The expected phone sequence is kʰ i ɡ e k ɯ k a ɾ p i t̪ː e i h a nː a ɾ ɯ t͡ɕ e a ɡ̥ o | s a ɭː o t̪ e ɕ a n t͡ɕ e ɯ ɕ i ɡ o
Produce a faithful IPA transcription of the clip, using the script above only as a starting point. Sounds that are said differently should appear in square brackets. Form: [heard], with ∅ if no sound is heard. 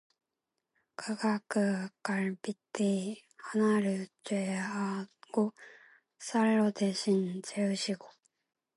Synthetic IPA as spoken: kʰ [a] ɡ [a] k ɯ k a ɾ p i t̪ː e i h a [n] a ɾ ɯ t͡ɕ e a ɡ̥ o | s a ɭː o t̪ e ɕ [i] n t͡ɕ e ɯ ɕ i ɡ o